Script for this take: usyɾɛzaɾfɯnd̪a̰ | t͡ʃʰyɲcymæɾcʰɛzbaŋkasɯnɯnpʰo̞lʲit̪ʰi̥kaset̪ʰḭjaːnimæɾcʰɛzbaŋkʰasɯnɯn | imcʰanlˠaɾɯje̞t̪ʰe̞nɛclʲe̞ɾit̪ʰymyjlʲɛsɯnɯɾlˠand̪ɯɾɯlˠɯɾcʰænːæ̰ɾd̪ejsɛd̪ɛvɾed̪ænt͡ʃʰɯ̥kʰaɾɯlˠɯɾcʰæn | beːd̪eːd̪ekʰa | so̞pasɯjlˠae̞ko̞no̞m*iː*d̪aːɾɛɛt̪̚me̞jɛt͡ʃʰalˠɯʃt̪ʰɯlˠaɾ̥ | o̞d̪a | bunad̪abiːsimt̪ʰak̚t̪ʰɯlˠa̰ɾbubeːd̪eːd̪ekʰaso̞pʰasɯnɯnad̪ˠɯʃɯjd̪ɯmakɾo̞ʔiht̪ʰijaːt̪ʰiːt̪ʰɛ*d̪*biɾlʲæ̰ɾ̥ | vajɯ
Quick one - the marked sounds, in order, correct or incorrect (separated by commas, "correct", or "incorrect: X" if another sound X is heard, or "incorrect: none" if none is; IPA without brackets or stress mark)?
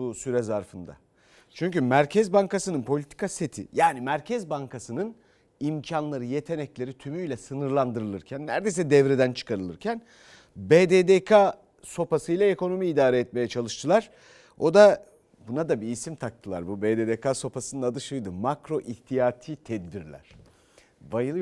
correct, correct